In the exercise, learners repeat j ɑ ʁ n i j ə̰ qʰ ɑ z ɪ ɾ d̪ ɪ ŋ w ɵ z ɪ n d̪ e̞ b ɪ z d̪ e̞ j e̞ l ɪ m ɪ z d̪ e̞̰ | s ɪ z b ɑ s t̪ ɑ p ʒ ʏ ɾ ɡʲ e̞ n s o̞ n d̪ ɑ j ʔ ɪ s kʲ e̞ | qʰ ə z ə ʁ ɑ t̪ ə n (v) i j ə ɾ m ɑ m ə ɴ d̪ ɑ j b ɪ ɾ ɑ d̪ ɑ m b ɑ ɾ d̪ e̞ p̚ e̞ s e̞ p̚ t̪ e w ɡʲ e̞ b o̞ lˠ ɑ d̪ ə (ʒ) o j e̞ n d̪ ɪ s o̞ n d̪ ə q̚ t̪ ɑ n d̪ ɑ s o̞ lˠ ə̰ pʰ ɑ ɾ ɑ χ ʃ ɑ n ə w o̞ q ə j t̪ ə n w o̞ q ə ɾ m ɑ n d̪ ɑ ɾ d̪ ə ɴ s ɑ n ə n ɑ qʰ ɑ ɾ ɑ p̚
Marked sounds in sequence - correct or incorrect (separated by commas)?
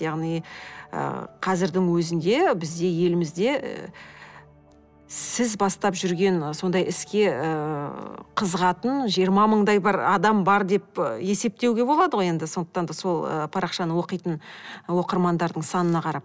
incorrect, incorrect